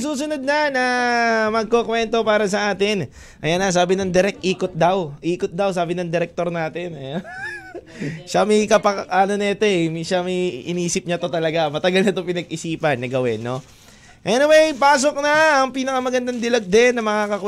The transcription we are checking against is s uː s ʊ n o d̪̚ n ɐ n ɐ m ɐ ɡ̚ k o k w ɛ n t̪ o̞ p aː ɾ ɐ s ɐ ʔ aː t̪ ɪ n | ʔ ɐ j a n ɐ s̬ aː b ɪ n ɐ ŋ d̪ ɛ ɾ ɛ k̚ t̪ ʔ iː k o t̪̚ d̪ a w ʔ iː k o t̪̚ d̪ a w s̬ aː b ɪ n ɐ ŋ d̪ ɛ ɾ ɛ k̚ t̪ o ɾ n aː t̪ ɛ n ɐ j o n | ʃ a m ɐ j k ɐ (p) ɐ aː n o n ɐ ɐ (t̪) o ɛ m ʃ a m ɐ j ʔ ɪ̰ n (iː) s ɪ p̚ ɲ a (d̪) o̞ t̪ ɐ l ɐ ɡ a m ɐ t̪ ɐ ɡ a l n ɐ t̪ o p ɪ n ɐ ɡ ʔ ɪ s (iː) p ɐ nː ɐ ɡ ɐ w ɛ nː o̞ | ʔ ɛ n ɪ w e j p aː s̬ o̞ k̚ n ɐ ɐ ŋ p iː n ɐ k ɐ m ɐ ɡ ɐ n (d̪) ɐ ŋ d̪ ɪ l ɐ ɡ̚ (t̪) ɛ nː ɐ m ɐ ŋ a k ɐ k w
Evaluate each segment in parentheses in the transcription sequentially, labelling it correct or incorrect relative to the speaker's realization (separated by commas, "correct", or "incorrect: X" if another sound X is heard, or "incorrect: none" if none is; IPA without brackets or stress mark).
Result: correct, correct, correct, incorrect: t̪, correct, correct, incorrect: d̪